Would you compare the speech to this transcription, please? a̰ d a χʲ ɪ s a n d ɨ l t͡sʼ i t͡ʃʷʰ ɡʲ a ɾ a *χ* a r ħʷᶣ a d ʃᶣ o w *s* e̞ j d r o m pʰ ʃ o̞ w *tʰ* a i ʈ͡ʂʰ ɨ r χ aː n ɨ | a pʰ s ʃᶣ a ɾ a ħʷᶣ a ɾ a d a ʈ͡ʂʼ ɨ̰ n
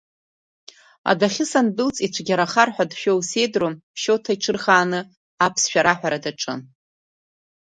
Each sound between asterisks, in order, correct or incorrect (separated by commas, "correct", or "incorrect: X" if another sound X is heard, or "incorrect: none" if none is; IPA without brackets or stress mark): correct, correct, correct